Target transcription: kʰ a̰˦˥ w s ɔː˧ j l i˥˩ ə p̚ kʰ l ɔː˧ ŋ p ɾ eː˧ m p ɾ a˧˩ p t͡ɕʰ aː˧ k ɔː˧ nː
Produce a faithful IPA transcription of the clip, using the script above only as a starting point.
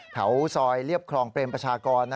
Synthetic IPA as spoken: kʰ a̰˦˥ w s ɔː˧ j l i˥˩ ə p̚ kʰ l ɔː˧ ŋ p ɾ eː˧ m p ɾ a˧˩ t͡ɕʰ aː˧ k ɔː˧ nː